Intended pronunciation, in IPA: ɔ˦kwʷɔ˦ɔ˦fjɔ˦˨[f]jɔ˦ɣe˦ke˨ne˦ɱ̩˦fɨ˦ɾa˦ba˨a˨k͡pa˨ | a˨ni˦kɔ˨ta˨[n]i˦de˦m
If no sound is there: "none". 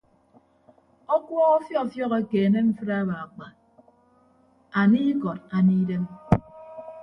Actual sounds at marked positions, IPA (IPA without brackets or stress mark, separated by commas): f, n